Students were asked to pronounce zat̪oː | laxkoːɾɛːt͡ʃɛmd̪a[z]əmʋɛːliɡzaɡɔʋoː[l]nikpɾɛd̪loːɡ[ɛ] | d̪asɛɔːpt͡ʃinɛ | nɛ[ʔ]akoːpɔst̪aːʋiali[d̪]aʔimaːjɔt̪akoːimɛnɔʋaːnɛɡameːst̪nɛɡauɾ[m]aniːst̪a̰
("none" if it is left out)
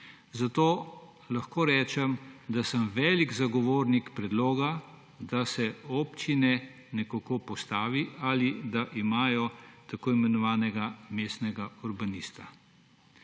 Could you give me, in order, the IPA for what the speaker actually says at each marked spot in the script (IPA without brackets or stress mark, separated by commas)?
s, ɾ, a, k, d̪, b